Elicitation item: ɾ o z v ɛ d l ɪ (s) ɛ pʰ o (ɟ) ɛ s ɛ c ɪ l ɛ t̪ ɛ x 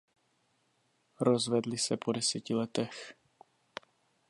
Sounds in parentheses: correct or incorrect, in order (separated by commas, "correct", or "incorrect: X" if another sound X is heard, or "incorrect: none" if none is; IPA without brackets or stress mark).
correct, incorrect: d